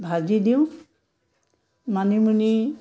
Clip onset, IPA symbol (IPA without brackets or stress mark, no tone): bʱ